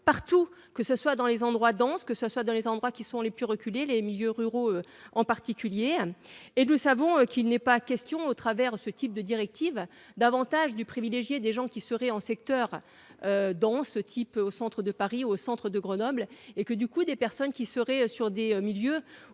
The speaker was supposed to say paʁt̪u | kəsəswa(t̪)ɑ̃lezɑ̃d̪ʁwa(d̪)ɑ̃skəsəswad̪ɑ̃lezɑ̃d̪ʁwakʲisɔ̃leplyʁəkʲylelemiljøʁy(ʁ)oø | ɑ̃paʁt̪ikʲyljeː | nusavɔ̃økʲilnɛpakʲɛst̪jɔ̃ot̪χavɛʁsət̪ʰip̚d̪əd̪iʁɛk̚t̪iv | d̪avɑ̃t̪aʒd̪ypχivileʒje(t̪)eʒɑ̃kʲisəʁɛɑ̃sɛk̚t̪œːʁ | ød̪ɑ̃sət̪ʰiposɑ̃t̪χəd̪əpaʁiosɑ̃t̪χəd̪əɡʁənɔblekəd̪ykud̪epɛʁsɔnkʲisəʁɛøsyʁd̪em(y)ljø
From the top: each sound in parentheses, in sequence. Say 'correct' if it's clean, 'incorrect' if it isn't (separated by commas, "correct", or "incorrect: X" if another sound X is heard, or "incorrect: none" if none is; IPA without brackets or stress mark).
incorrect: d̪, correct, correct, incorrect: d̪, incorrect: i